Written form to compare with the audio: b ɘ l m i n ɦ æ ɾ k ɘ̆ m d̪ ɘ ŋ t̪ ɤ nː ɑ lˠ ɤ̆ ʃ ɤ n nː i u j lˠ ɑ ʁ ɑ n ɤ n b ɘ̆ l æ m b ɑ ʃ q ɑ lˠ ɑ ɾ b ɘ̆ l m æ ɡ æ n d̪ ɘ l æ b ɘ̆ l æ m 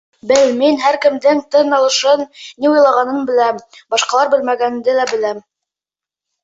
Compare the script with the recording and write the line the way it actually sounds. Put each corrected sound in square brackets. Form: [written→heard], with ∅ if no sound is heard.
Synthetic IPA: b ɘ l m i n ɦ æ ɾ k ɘ̆ m d̪ ɘ ŋ t̪ ɤ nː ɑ lˠ ɤ̆ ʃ ɤ n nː i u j lˠ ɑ ʁ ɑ n ɤ n b ɘ̆ l æ m b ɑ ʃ q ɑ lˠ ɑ ɾ b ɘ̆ l m æ ɡ æ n d̪ ɘ l æ b ɘ̆ l æ m

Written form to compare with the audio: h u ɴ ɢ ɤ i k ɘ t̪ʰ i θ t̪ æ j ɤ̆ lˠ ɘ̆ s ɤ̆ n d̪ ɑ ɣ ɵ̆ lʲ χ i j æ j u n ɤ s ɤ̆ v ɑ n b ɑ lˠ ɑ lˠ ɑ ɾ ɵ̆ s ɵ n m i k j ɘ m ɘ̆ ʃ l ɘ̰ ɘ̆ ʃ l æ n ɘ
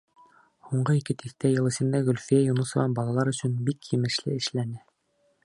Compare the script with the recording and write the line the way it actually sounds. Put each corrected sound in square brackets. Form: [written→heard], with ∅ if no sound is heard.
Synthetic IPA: h u ɴ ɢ ɤ i k ɘ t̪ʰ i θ t̪ æ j ɤ̆ lˠ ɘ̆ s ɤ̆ n d̪ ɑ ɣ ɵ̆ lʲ [χ→f] i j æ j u n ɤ s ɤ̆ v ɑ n b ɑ lˠ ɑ lˠ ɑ ɾ ɵ̆ s ɵ n [m→b] i k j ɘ m ɘ̆ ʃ l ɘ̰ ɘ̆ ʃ l æ n ɘ

